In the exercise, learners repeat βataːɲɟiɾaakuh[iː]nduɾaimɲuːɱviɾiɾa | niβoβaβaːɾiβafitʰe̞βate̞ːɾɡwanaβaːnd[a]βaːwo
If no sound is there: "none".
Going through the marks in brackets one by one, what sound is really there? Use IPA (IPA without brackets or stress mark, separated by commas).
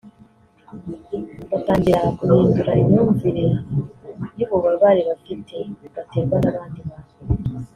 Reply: iː, i